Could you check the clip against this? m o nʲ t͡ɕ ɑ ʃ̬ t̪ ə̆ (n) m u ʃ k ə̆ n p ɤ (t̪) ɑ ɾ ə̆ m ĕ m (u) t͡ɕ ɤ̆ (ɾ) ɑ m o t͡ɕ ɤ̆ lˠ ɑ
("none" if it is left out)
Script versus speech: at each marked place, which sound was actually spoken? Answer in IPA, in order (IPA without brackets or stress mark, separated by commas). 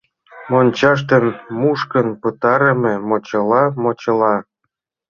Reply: n, t̪, o, l